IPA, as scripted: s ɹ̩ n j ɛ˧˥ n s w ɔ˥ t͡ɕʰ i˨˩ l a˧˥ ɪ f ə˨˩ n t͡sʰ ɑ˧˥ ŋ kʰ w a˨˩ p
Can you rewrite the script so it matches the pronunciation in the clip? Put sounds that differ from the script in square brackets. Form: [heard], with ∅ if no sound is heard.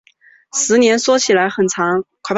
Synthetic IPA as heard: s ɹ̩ n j ɛ˧˥ n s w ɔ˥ t͡ɕʰ i˨˩ l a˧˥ ɪ [x] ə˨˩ n t͡sʰ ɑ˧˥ ŋ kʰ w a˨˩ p